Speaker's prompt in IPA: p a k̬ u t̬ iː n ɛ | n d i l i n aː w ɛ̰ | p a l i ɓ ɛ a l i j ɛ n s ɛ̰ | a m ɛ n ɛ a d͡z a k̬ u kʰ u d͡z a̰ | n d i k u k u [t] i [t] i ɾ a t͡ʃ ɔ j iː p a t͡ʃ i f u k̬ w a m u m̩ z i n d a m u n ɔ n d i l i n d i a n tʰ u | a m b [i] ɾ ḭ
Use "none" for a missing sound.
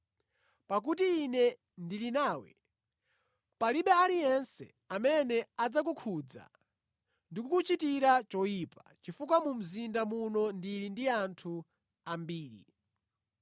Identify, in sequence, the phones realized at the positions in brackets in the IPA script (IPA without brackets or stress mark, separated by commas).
t͡ʃ, t, iː